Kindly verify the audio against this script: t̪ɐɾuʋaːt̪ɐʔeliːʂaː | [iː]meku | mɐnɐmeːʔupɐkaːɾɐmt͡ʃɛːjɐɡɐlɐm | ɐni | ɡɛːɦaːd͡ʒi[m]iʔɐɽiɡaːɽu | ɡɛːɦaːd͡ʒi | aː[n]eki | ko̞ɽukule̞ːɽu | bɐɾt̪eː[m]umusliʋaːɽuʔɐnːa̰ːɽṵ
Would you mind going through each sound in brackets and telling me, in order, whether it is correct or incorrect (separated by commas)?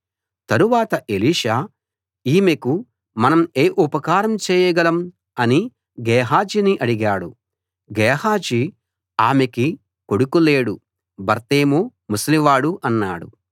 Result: correct, incorrect, incorrect, correct